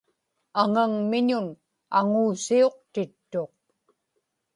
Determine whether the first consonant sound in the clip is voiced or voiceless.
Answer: voiced